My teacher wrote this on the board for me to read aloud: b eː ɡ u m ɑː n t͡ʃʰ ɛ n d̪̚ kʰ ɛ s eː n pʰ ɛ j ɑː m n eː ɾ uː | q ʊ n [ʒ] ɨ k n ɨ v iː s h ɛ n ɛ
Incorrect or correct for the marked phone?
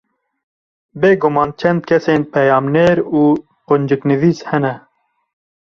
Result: incorrect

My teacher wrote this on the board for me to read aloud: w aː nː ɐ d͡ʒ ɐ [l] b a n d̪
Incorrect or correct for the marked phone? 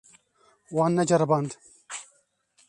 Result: incorrect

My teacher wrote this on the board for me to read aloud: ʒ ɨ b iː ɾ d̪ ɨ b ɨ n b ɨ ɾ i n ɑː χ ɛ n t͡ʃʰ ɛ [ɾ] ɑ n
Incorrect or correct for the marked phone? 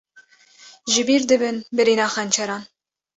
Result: correct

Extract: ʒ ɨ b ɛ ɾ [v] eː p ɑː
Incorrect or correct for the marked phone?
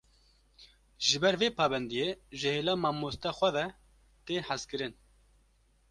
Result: correct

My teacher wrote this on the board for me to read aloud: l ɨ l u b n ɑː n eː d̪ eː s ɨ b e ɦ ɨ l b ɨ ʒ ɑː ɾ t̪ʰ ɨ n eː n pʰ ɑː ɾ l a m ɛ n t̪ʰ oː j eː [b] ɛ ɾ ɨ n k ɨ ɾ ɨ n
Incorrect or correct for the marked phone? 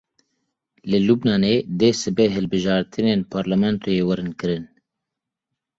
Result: incorrect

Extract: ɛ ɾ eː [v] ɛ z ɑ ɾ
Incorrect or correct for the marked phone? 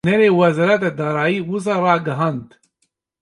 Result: incorrect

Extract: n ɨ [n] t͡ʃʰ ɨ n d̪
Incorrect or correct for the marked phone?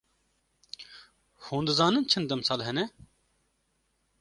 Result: correct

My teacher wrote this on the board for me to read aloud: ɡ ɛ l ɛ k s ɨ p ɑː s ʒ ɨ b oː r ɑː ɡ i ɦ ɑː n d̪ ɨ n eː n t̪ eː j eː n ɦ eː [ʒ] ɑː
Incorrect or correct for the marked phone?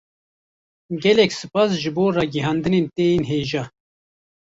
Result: correct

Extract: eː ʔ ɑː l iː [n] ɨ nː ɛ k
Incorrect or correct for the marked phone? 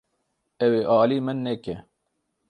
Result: incorrect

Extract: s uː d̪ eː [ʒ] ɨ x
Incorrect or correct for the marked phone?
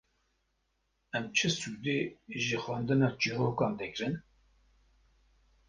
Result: correct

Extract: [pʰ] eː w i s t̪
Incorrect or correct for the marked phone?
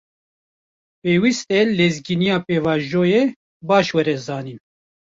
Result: incorrect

